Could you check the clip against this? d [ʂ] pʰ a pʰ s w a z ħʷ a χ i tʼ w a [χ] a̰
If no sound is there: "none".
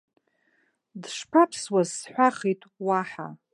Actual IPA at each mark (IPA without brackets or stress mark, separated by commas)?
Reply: ʂ, ħ